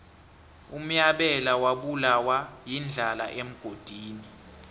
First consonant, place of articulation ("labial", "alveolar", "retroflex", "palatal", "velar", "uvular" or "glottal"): labial